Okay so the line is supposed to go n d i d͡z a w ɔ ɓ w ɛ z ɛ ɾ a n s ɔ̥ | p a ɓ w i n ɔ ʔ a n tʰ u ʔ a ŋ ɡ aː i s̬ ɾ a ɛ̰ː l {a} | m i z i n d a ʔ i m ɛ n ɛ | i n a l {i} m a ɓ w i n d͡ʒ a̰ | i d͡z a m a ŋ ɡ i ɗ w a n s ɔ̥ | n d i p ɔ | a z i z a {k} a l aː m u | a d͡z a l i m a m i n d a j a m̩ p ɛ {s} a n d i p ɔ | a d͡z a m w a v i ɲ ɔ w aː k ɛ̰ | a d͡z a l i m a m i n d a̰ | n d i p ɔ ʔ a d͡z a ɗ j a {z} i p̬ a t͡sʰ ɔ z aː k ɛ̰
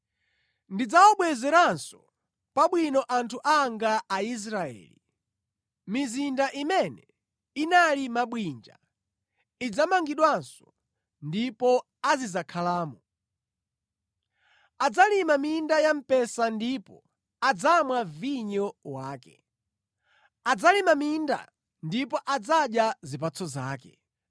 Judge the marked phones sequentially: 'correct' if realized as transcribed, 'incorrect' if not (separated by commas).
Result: incorrect, correct, incorrect, correct, correct